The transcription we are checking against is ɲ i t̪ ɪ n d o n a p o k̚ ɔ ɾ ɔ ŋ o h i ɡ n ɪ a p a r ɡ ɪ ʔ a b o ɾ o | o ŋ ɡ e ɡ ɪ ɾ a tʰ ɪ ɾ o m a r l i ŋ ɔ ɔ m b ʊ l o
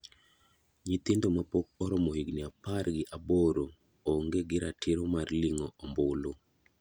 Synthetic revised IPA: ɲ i t̪ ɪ n d o m a p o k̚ ɔ ɾ ɔ m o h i ɡ n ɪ a p a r ɡ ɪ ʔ a b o ɾ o | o ŋ ɡ e ɡ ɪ ɾ a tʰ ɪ ɾ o m a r l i ŋ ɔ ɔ m b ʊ l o